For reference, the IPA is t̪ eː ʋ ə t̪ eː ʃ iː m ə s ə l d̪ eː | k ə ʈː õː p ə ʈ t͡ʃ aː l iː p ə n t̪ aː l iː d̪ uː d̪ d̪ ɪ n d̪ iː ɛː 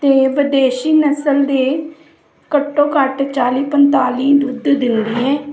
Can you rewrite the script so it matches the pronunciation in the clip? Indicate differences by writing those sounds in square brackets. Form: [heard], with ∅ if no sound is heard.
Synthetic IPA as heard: t̪ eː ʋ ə [d̪] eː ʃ iː [n] ə s ə l d̪ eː | k ə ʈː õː [k] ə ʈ t͡ʃ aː l iː p ə n t̪ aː l iː d̪ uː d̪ d̪ ɪ n d̪ iː ɛː